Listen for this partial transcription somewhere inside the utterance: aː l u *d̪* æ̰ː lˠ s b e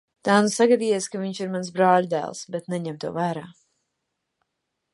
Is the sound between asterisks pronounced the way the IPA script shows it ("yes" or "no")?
yes